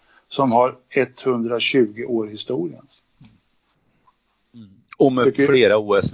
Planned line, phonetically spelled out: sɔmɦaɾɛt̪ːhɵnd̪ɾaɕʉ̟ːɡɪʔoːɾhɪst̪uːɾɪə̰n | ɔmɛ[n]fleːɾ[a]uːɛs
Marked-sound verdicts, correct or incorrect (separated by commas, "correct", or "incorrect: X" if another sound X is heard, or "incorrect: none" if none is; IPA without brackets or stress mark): incorrect: none, correct